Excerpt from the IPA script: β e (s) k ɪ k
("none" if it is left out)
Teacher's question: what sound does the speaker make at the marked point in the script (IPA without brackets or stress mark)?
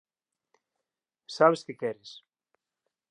s